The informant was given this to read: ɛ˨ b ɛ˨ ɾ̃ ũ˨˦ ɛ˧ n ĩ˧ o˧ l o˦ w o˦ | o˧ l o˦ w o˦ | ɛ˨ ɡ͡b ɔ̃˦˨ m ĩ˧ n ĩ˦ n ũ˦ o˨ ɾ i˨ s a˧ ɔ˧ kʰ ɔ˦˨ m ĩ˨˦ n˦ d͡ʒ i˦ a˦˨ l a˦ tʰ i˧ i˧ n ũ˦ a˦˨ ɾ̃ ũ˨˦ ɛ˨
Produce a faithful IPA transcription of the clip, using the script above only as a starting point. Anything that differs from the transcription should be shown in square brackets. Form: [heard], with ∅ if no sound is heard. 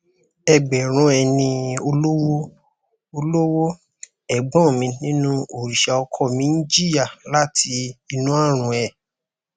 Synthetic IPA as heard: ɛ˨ [ɡ͡b] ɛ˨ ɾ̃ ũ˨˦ ɛ˧ n ĩ˧ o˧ l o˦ w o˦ | o˧ l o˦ w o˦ | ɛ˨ ɡ͡b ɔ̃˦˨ m ĩ˧ n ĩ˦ n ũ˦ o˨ ɾ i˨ [ʃ] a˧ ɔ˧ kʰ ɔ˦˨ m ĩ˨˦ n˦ d͡ʒ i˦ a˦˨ l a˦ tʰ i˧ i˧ n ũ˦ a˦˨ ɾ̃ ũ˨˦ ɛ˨